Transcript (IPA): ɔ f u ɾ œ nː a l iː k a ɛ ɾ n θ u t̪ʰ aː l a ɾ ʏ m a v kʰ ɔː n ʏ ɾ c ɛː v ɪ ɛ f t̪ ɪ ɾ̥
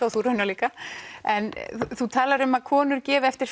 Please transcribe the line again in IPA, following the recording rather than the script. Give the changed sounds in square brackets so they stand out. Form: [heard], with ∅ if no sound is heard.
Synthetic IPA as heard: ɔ [θ] u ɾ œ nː a l iː k a ɛ [∅] n θ u t̪ʰ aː l a ɾ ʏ m a [ð] kʰ ɔː n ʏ ɾ c ɛː v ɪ ɛ f t̪ ɪ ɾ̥